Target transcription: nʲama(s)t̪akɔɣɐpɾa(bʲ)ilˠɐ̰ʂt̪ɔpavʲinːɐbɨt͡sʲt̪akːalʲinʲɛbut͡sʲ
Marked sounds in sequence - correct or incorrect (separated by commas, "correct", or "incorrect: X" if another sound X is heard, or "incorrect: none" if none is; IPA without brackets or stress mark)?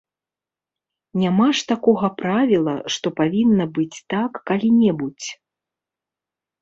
incorrect: ʂ, incorrect: vʲ